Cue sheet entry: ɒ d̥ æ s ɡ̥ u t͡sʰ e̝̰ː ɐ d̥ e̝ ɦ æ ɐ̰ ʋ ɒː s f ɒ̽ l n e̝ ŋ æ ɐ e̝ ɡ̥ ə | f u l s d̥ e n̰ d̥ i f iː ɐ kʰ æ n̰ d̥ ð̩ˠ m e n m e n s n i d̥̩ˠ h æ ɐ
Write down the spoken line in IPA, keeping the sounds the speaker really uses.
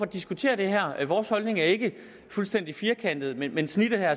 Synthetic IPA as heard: ɒ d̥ i s ɡ̥ u t͡sʰ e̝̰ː ɐ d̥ e̝ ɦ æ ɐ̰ ʋ ɒː s h ɒ̽ l n e̝ ŋ æ ɐ e̝ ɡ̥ ə | f u l s d̥ e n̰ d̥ i f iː ɐ kʰ æ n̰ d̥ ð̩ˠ m e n m e n s n i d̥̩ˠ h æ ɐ

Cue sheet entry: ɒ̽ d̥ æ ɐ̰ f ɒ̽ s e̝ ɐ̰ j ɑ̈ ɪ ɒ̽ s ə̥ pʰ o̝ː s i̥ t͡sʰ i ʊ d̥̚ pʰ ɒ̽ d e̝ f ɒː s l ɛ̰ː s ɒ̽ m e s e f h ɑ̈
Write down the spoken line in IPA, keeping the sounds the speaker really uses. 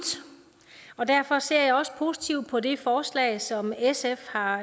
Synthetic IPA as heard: ɒ̽ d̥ æ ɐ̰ f ɒ̽ s e̝ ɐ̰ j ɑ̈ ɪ ɒ̽ s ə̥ pʰ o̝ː s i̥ t͡sʰ i ʊ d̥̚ pʰ ɒ̽ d e̝ f ɒː s l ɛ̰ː s ɒ̽ m e s e f h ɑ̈

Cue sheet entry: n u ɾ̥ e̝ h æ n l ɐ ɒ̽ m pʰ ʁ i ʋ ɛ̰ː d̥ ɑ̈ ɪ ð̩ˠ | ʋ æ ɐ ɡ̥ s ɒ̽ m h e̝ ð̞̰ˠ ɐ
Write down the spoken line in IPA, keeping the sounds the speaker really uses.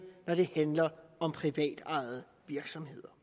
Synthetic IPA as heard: n ɒ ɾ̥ e̝ h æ n l ɐ ɒ̽ m pʰ ʁ i ʋ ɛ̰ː d̥ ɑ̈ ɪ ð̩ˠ | ʋ i ɐ ɡ̥ s ɒ̽ m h e̝ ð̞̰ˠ ɐ

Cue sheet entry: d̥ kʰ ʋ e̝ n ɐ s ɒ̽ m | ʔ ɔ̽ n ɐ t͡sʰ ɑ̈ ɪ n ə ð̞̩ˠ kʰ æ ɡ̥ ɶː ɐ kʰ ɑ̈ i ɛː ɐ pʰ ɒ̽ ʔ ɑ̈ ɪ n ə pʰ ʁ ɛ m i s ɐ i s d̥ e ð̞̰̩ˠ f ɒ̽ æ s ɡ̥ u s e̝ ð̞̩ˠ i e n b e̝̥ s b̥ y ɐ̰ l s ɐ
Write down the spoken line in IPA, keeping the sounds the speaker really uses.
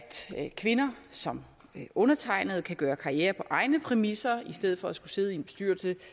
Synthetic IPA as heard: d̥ kʰ ʋ e̝ n ɐ s ɒ̽ m | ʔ ɔ̽ n ɐ t͡sʰ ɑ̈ ɪ n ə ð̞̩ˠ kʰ æ ɡ̥ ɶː ɐ kʰ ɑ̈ i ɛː ɐ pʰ ɒ̽ ʔ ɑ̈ ɪ n ə pʰ ʁ ɛ m i s ɐ i s d̥ e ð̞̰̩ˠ f ɒ̽ æ s ɡ̥ u s e̝ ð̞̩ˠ i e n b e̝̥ s d̥ y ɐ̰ l s ə

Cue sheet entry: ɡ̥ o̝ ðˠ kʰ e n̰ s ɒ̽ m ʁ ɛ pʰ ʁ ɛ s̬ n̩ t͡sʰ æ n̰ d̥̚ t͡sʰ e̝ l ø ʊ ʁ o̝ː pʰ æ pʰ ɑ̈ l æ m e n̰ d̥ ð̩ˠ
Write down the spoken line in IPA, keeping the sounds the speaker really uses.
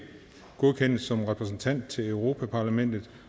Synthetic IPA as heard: ɡ̥ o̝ ðˠ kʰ e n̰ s ɒ̽ m ʁ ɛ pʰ ʁ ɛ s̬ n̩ t͡sʰ æ n̰ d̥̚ t͡sʰ e̝ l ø ʊ ʁ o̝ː pʰ æ pʰ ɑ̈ l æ m e n̰ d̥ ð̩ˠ

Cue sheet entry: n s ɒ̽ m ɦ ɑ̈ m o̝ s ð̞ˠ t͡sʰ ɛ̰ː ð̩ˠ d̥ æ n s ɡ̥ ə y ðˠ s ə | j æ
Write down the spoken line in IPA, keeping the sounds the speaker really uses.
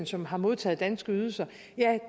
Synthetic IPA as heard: n s ɒ̽ m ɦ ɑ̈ m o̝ ð̞ˠ t͡sʰ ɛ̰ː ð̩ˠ d̥ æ n s ɡ̥ ə y ðˠ s ɐ | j æ

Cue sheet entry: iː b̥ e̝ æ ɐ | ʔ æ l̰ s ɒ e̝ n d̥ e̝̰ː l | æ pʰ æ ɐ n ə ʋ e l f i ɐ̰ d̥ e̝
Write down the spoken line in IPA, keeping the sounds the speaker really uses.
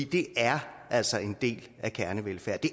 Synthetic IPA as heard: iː d̥ e̝ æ ɐ | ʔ æ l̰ s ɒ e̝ n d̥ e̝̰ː l | æ kʰ æ ɐ n ə ʋ e l f æ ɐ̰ d̥ e̝

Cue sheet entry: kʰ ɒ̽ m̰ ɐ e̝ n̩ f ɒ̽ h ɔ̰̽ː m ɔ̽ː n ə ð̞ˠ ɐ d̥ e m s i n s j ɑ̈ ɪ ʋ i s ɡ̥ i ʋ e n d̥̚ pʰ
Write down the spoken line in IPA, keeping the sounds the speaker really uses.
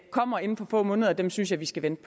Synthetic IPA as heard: kʰ ɒ̽ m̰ ɐ e̝ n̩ f ɒ̽ f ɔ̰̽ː m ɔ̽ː n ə ð̞ˠ ɐ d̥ e m s y n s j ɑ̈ ɪ ʋ i s ɡ̥ æ ʋ e n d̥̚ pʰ

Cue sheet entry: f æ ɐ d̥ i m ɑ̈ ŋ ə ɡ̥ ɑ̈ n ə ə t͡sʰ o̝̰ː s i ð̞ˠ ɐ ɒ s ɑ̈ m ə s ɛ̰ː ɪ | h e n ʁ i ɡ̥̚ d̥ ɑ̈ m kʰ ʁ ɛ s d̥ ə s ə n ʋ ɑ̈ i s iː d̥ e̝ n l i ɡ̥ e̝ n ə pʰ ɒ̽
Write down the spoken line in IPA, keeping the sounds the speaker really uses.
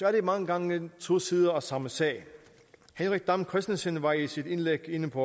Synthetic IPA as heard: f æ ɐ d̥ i m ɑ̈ ŋ ə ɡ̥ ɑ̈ ŋ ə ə t͡sʰ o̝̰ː s i ð̞ˠ ɐ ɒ s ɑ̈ m ə s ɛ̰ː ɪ | h e n ʁ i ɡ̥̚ d̥ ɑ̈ m kʰ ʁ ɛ s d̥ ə s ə n ʋ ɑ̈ i s i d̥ e̝ n l e ɡ̥ e̝ n ə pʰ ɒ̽

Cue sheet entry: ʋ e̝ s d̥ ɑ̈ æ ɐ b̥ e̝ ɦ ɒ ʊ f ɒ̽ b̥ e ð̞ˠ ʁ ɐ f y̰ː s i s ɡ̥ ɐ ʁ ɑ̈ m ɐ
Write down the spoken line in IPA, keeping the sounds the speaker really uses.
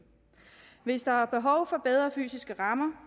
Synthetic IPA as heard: ʋ e̝ s d̥ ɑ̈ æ ɐ b̥ e̝ ɦ ɒ ʊ f ɒ̽ b̥ e ð̞ˠ ʁ ɐ f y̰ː s i s ɡ̥ ə ʁ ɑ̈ m ɐ

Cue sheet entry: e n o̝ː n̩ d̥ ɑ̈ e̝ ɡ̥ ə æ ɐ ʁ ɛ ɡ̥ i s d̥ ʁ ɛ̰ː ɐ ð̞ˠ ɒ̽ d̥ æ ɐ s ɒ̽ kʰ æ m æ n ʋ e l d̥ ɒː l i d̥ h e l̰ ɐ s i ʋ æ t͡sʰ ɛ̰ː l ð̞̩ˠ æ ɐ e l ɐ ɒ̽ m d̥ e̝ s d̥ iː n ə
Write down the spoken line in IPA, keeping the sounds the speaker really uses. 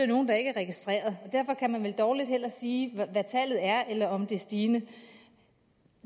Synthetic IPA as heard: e n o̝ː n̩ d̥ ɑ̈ e̝ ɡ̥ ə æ ɐ ʁ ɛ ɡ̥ i s d̥ ʁ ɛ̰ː ɐ ð̞ˠ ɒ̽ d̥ æ ɐ f ɒ̽ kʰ æ m æ n ʋ e l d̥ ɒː l i d̥ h e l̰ ɐ s iː ʋ æ t͡sʰ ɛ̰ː l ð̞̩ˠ æ ɐ e l ɐ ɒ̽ m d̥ e̝ s d̥ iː n ə

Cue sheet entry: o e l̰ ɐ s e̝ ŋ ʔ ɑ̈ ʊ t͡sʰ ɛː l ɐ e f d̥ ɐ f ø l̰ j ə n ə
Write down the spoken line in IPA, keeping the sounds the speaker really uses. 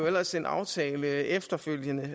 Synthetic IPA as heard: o e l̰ ɐ s e̝ n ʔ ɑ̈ ʊ t͡sʰ ɛː l ə e f d̥ ɐ f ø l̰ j ə n ə

